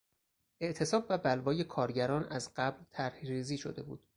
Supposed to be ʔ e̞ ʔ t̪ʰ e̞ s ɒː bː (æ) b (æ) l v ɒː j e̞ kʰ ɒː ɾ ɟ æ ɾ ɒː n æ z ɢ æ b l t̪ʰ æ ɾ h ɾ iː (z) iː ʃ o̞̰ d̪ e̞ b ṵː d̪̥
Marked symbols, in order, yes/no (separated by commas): yes, yes, yes